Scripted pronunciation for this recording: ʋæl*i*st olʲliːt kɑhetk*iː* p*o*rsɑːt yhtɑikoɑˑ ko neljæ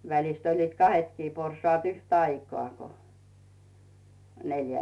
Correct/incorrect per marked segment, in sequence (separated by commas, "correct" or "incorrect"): correct, correct, correct